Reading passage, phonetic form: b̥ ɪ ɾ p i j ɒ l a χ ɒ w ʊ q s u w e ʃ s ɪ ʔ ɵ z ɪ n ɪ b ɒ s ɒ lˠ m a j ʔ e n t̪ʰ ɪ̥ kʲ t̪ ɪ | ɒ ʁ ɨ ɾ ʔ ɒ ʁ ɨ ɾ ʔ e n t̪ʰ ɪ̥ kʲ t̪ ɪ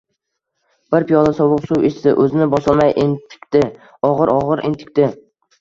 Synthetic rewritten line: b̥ ɪ ɾ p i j ɒ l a s ɒ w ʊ q s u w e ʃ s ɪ ʔ ɵ z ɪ n ɪ b ɒ s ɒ lˠ m a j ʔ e n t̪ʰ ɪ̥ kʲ t̪ ɪ | ɒ ʁ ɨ ɾ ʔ ɒ ʁ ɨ ɾ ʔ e n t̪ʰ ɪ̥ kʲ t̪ ɪ